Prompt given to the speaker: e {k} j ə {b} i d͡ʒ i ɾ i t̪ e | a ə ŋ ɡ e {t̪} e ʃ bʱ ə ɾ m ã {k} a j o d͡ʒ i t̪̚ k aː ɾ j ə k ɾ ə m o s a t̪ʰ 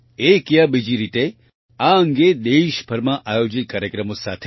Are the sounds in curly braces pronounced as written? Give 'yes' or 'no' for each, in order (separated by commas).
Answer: yes, yes, no, no